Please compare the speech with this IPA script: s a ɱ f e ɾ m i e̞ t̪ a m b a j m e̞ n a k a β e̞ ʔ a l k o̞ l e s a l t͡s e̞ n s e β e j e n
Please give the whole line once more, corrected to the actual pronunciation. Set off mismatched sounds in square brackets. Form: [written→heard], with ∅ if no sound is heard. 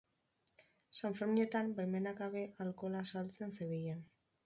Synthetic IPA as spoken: s a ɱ f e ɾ m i e̞ t̪ a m b a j m e̞ n a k a β e̞ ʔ a l k o̞ l [e→a] s a l t͡s e̞ n s e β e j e n